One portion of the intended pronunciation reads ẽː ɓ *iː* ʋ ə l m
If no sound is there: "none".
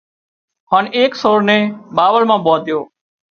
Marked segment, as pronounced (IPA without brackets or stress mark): aː